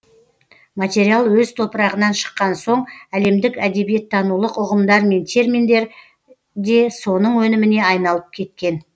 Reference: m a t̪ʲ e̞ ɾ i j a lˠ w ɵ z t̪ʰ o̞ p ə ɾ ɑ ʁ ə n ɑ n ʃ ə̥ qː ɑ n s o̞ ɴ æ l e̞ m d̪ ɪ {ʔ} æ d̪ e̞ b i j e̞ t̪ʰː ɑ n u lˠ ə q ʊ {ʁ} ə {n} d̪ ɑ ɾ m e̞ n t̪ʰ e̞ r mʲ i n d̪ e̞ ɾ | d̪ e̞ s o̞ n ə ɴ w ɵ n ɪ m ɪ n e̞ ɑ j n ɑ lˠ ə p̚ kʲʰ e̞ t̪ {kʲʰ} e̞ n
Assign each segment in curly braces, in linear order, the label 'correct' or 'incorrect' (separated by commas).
incorrect, correct, incorrect, incorrect